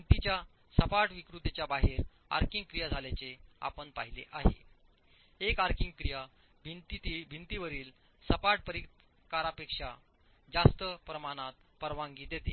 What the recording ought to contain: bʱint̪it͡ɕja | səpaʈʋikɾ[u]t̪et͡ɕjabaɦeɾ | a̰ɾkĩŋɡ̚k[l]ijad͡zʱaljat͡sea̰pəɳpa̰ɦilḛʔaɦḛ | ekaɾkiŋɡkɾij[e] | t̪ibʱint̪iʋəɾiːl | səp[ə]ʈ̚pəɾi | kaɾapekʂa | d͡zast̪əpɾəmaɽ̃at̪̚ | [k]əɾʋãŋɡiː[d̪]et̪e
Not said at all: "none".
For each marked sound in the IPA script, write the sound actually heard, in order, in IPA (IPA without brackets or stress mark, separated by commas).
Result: u, ɾ, a, a, p, d̪